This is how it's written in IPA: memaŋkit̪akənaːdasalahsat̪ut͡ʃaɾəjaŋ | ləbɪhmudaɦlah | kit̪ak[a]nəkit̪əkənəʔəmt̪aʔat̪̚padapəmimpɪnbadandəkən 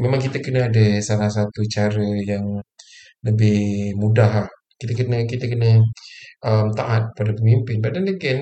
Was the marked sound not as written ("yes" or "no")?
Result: yes